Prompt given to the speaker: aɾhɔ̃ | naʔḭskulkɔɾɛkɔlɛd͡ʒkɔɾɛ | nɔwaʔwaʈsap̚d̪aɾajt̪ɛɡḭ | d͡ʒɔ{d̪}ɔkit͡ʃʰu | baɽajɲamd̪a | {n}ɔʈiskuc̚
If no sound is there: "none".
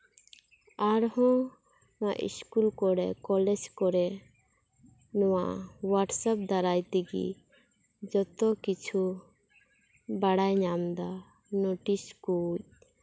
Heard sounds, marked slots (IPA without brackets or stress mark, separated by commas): t̪, n